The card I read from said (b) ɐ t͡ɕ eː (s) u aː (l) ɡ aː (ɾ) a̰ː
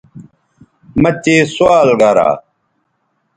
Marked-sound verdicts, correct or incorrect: incorrect: m, correct, correct, correct

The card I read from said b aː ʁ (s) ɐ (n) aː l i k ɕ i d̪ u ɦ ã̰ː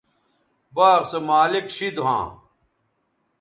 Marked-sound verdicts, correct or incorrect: correct, incorrect: m

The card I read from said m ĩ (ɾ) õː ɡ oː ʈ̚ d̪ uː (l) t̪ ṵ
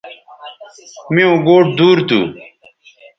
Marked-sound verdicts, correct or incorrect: incorrect: none, incorrect: ɾ

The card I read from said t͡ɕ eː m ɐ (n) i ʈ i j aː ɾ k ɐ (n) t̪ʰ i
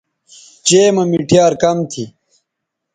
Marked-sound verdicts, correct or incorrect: incorrect: m, incorrect: m

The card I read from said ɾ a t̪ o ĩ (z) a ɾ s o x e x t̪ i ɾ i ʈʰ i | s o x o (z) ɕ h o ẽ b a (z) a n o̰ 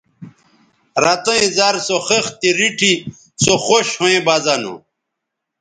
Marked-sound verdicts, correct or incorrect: correct, incorrect: none, correct

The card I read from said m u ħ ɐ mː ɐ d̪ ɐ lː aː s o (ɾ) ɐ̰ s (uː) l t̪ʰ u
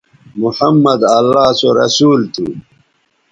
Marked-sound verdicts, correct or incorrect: correct, correct

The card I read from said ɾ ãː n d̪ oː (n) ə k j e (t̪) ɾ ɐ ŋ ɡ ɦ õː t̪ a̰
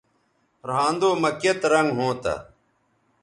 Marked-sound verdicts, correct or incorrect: incorrect: m, correct

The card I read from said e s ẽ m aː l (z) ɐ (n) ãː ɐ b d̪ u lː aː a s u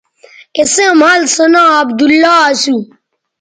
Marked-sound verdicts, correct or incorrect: incorrect: s, correct

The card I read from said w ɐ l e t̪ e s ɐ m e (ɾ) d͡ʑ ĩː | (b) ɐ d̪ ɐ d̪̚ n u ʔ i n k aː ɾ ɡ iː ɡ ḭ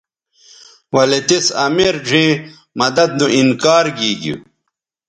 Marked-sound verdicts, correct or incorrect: correct, incorrect: m

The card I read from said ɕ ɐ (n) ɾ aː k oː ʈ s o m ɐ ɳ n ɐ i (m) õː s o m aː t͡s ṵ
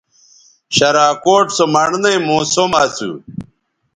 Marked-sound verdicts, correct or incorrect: incorrect: none, correct

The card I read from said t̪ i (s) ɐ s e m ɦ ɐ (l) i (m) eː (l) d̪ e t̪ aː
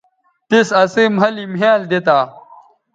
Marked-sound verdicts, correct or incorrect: correct, correct, correct, correct

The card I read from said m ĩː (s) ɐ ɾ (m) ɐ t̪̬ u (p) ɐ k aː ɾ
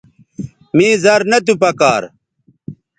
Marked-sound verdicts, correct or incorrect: incorrect: z, incorrect: n, correct

